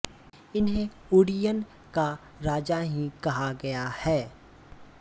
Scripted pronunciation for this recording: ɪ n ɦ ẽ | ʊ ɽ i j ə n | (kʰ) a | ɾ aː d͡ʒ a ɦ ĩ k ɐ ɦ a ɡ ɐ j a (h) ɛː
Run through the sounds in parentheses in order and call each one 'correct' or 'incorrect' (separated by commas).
incorrect, correct